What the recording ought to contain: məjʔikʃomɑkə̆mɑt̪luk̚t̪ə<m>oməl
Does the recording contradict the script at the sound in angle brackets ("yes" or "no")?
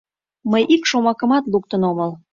yes